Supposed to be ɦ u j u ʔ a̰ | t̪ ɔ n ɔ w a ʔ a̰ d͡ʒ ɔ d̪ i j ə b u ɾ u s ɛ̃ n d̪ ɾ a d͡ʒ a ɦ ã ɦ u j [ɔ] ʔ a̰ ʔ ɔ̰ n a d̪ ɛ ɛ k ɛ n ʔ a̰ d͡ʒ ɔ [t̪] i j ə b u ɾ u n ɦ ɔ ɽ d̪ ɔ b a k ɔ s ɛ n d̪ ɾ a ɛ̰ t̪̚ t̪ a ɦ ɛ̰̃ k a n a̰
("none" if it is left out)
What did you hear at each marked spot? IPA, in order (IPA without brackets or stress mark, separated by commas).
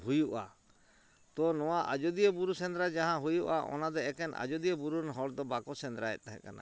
u, d̪